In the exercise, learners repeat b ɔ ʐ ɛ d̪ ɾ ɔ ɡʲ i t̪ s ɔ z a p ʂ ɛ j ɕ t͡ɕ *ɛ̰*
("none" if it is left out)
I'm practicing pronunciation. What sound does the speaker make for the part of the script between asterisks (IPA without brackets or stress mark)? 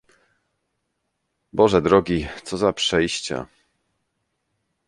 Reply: a̰